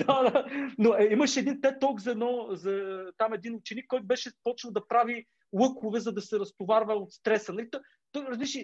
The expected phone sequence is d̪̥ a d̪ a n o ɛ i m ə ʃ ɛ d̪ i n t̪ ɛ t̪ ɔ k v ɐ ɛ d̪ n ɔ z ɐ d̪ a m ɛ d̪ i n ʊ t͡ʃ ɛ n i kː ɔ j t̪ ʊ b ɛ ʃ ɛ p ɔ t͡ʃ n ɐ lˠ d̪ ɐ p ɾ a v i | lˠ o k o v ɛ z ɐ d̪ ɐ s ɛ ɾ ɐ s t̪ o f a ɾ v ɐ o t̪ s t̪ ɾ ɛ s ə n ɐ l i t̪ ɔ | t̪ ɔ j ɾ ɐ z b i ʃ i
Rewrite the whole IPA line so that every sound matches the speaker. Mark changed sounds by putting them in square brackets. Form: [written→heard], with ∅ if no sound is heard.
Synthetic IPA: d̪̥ a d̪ a n o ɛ i m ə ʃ ɛ d̪ i n t̪ ɛ t̪ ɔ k [v→z] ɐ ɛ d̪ n ɔ z ɐ [d̪→t̪] a m ɛ d̪ i n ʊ t͡ʃ ɛ n i kː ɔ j t̪ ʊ b ɛ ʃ ɛ p ɔ t͡ʃ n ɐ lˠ d̪ ɐ p ɾ a v i | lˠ [o→ɤ] k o v ɛ z ɐ d̪ ɐ s ɛ ɾ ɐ s t̪ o [f→v] a ɾ v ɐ o t̪ s t̪ ɾ ɛ s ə n ɐ l i t̪ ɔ | t̪ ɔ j ɾ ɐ z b i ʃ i